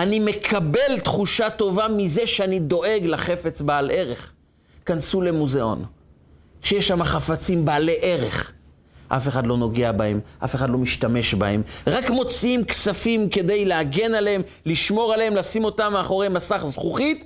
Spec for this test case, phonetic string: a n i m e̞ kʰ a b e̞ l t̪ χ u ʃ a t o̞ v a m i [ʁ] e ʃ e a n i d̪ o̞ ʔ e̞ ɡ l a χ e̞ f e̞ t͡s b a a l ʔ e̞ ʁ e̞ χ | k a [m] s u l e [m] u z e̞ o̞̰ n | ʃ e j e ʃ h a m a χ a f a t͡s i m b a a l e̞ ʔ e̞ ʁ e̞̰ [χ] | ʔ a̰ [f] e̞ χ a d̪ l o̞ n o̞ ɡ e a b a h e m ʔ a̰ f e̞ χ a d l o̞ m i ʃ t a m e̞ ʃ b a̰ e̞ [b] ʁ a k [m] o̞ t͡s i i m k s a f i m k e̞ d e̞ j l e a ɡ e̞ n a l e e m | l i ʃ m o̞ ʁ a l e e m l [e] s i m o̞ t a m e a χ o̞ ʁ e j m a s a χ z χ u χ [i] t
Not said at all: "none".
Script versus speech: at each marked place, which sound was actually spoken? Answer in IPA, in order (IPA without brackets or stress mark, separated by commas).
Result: z, n, m, χ, f, m, m, a, i